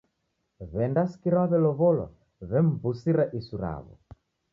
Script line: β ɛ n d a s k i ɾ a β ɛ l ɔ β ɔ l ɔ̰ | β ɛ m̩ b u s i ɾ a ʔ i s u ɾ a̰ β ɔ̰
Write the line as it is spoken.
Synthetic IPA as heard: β ɛ n d a s k i ɾ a β ɛ l ɔ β ɔ l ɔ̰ | β ɛ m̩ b u s i ɾ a ʔ i s u ɾ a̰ β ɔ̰

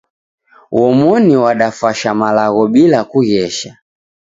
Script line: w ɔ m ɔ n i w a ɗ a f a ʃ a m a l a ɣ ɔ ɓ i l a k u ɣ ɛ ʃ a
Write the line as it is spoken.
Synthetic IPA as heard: w ɔ m ɔ n i w a ɗ a f a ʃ a m a l a ɣ ɔ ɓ i l a k u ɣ ɛ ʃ a

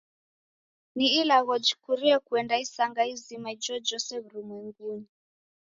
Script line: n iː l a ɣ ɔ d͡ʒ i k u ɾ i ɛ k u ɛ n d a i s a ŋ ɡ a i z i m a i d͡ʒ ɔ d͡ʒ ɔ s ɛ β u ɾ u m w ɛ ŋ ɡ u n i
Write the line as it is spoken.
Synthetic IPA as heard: n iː l a ɣ ɔ d͡ʒ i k u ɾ i ɛ k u ɛ n d a i s a ŋ ɡ a i z i m a i d͡ʒ ɔ d͡ʒ ɔ s ɛ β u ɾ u m w ɛ ŋ ɡ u n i

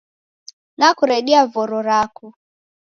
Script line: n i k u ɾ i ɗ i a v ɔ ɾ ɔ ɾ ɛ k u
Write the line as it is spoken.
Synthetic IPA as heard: n a k u ɾ ɛ ɗ i a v ɔ ɾ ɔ ɾ a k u

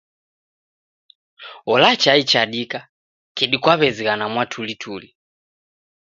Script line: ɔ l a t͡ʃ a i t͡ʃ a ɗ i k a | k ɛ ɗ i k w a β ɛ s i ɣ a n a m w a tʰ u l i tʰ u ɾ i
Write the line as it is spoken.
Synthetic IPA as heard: ɔ l a t͡ʃ a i t͡ʃ a ɗ i k a | k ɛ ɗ i k w a β ɛ z i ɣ a n a m w a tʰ u l i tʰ u l i

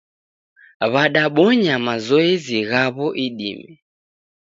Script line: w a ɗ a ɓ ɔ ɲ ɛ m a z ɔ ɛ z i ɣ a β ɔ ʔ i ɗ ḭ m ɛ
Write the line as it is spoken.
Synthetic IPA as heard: β a ɗ a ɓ ɔ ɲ a m a z ɔ ɛ z i ɣ a β ɔ ʔ i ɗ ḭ m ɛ

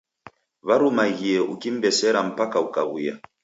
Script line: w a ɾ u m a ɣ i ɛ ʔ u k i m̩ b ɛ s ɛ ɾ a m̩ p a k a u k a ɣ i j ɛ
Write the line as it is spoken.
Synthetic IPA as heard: β a ɾ u m a ɣ i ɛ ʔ u k i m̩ b ɛ s ɛ ɾ a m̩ p a k a u k a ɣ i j a

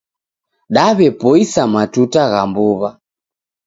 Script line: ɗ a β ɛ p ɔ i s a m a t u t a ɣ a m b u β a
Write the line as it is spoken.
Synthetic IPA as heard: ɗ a β ɛ p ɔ i s a m a t u t a ɣ a m b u β a

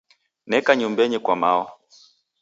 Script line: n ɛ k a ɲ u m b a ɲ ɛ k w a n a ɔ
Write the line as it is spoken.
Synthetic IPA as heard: n ɛ k a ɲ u m b ɛ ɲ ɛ k w a m a ɔ

